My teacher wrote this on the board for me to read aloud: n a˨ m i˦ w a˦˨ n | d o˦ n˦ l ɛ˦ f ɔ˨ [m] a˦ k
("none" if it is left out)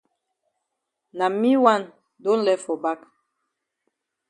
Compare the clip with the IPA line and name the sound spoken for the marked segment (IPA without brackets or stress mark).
b